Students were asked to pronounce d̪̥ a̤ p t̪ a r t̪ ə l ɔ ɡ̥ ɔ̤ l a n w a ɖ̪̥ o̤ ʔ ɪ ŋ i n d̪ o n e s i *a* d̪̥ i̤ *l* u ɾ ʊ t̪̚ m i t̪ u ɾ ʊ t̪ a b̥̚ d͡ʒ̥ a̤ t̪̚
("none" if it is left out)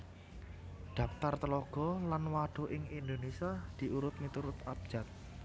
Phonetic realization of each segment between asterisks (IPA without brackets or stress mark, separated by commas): a, none